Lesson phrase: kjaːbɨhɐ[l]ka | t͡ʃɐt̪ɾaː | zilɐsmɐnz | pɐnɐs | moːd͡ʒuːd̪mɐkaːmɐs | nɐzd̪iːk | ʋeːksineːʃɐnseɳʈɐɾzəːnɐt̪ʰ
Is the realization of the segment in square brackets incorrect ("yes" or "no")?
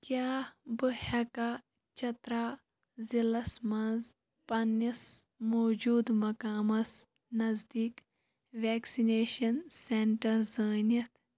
yes